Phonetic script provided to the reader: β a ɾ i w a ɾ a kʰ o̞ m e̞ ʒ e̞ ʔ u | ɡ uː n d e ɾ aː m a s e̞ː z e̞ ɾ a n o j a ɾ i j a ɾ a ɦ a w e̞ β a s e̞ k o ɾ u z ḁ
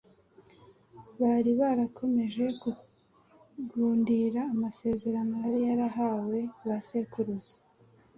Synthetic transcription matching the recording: β a ɾ i β a ɾ a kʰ o̞ m e̞ ʒ e̞ k u | ɡ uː n d i ɾ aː m a s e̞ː z e̞ ɾ a n o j a ɾ i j a ɾ a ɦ a w e̞ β a s e̞ k u ɾ u z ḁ